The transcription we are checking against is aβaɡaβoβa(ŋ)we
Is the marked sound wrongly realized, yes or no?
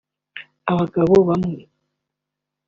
yes